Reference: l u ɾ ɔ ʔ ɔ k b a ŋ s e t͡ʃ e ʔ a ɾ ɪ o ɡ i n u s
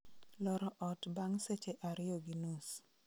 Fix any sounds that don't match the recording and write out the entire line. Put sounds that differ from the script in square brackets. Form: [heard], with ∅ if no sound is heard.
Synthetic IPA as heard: l [ɔ] ɾ ɔ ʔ ɔ [t] b a ŋ s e t͡ʃ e ʔ a ɾ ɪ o ɡ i n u s

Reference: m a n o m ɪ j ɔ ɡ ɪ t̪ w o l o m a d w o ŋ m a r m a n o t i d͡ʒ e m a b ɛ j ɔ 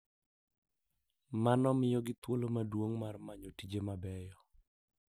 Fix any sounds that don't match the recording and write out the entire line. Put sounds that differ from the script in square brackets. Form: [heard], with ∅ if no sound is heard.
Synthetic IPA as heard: m a n [ɔ] m ɪ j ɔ ɡ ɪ t̪ w o l o m a d w o ŋ m a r m a [ɲ] o t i d͡ʒ e m a b ɛ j ɔ

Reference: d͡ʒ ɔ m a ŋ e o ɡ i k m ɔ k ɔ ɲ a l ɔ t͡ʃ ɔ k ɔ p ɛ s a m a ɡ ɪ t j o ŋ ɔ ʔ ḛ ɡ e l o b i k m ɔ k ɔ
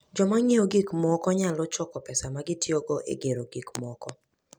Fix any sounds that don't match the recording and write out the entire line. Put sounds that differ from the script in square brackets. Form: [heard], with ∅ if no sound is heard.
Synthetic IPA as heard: d͡ʒ ɔ m a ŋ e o ɡ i k m ɔ k ɔ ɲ a l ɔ t͡ʃ ɔ k ɔ p ɛ s a m a ɡ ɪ t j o [ɡ] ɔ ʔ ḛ ɡ e [ɾ] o [ɡ] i k m ɔ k ɔ

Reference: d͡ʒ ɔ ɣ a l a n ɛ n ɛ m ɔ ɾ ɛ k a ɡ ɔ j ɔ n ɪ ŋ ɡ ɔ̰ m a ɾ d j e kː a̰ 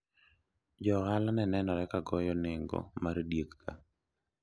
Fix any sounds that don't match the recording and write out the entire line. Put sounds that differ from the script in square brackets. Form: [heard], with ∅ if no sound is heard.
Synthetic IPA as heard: d͡ʒ ɔ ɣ a l a n ɛ n ɛ [n] ɔ ɾ ɛ k a ɡ ɔ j ɔ n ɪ ŋ ɡ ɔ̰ m a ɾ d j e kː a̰

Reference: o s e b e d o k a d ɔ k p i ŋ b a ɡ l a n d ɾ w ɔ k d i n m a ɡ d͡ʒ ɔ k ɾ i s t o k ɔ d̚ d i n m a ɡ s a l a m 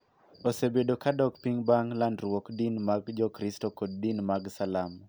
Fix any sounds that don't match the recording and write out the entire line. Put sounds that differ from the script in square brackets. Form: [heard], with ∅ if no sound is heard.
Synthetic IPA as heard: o s e b e d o k a d ɔ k p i ŋ b a [ŋ] l a n d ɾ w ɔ k d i n m a ɡ d͡ʒ ɔ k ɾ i s t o k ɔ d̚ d i n m a ɡ s a l a m

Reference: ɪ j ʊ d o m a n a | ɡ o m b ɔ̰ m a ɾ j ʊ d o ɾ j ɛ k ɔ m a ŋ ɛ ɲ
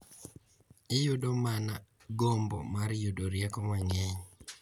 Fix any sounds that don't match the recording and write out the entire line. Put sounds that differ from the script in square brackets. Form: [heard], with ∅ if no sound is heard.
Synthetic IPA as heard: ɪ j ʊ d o m a n a | ɡ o m b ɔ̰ m a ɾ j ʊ d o ɾ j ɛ k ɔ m a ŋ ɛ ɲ

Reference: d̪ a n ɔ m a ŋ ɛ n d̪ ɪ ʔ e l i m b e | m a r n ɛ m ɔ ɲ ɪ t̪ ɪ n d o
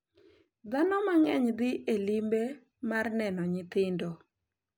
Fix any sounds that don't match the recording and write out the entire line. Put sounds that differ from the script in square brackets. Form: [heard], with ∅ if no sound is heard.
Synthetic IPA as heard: d̪ a n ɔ m a ŋ ɛ [ɲ] d̪ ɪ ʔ e l i m b e | m a r n ɛ [n] ɔ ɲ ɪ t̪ ɪ n d o

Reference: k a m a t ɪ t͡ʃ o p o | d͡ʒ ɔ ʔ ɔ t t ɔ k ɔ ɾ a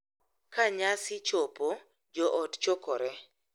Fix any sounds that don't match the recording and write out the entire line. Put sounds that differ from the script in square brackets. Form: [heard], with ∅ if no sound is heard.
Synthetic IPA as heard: k a [ɲ] a [s] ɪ t͡ʃ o p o | d͡ʒ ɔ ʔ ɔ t [t͡ʃ] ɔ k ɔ ɾ [ɛ]

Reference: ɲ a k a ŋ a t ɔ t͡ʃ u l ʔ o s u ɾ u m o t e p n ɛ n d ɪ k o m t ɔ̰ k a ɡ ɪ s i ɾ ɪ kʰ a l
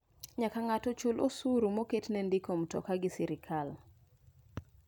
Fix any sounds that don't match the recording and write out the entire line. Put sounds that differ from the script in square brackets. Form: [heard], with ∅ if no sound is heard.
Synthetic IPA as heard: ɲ a k a ŋ a t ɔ t͡ʃ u l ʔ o s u ɾ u m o [k] e [t] n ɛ n d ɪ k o m t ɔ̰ k a ɡ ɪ s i ɾ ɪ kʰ a l

